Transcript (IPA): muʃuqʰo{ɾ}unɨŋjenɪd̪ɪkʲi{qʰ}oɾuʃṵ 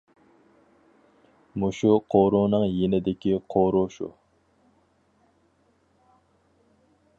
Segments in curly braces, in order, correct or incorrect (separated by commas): correct, correct